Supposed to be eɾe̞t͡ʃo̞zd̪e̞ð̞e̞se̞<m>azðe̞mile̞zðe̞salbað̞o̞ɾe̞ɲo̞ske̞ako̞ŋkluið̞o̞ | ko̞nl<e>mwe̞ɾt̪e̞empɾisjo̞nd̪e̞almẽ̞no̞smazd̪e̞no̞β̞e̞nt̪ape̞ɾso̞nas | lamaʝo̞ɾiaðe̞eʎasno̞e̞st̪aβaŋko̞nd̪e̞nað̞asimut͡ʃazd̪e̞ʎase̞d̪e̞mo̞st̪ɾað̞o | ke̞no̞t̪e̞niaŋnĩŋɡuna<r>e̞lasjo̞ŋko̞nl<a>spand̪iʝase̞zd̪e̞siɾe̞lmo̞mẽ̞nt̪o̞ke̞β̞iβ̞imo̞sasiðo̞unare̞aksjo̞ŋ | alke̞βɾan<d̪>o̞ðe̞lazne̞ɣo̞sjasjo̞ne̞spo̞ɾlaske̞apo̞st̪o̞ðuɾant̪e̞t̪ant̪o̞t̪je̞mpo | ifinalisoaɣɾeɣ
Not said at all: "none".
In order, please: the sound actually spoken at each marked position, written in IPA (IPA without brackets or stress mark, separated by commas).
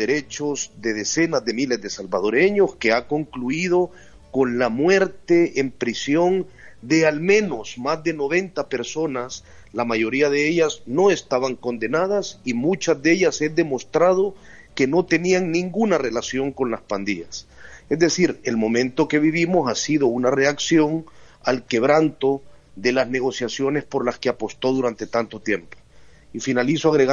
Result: n, a, r, a, t̪